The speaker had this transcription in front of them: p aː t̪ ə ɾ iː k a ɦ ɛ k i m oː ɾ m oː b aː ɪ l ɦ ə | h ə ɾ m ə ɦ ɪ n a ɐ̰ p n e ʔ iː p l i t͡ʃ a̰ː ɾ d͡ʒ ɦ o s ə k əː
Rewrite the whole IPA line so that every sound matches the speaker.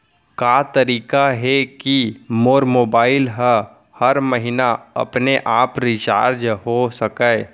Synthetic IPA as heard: k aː t̪ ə ɾ iː k a ɦ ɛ k i m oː ɾ m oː b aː ɪ l ɦ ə | h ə ɾ m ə ɦ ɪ n a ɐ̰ p n e ʔ aː p ɾ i t͡ʃ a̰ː ɾ d͡ʒ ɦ o s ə k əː